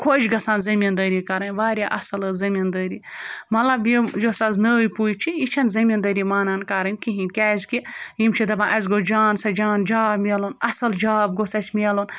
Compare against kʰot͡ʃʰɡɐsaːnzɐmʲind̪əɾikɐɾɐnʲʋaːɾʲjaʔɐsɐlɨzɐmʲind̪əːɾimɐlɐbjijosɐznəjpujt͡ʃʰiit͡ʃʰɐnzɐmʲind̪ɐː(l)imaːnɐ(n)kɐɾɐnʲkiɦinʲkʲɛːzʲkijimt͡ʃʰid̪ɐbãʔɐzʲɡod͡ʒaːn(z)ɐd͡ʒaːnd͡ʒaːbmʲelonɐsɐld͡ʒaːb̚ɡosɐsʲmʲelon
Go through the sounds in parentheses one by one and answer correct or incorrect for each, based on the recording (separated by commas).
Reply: incorrect, correct, incorrect